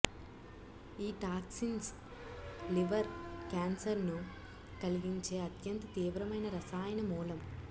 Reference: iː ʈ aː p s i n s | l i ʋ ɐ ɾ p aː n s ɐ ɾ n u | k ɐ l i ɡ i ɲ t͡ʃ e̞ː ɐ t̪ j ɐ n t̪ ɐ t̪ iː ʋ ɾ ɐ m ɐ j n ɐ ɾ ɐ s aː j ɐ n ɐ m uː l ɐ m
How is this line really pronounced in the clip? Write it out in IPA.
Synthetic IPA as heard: iː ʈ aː k s i n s | l i ʋ ɐ ɾ k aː n s ɐ ɾ n u | k ɐ l i ɡ i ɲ t͡ʃ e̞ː ɐ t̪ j ɐ n t̪ ɐ t̪ iː ʋ ɾ ɐ m ɐ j n ɐ ɾ ɐ s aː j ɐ n ɐ m uː l ɐ m